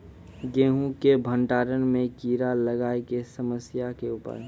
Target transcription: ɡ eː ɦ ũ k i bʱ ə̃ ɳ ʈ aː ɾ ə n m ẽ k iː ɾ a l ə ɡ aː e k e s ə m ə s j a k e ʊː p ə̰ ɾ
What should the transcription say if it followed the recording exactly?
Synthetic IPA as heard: ɡ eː ɦ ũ k e bʱ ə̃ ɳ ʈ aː ɾ ə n m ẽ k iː ɾ a l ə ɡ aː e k e s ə m ə s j a k e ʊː p ə̰ ɾ